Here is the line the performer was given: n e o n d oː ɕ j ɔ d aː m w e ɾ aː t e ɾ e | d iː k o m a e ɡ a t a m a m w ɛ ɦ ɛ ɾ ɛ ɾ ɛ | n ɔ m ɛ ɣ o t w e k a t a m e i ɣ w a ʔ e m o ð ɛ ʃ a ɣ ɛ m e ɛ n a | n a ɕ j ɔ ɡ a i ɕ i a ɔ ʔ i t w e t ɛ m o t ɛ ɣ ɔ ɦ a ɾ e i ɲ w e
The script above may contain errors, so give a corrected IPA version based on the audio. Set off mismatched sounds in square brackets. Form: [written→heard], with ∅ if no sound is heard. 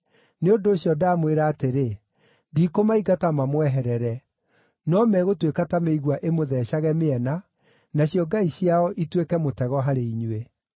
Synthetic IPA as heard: n e o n d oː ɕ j ɔ d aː m w e ɾ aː t e ɾ e | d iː k o m a [e→i] ɡ a t a m a m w ɛ ɦ ɛ ɾ ɛ ɾ ɛ | n ɔ m ɛ ɣ o t w e k a t a m e i ɣ w a ʔ e m o ð ɛ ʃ a ɣ ɛ m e ɛ n a | n a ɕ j ɔ ɡ a i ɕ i a ɔ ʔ i t w e [t→k] ɛ m o t ɛ ɣ ɔ ɦ a ɾ e i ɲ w e